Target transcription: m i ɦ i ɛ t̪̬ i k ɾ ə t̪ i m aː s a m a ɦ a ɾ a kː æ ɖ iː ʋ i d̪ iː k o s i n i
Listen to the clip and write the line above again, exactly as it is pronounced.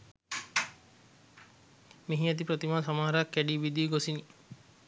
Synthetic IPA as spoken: m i ɦ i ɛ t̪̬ i p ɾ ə t̪ i m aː s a m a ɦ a ɾ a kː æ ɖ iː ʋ i d̪ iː ɡ o s i n i